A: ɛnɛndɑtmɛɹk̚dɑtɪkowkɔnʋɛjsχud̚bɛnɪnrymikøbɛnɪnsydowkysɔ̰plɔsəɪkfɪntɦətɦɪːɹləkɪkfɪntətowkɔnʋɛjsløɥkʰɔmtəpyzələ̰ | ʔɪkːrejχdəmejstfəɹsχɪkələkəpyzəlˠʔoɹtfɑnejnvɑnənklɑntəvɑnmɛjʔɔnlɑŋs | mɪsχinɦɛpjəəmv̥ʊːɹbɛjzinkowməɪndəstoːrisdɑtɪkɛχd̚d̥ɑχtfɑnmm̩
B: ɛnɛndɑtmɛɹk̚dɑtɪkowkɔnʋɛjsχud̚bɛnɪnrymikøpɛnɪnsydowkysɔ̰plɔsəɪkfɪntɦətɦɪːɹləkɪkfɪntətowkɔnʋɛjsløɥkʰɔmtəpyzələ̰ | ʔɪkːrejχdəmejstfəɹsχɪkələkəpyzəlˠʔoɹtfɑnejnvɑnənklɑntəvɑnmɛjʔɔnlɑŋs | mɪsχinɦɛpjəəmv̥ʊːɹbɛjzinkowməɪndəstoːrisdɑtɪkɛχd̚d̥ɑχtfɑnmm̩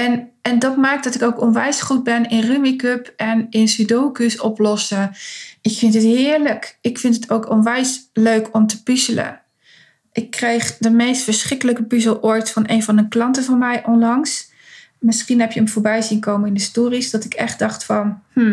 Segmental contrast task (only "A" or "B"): B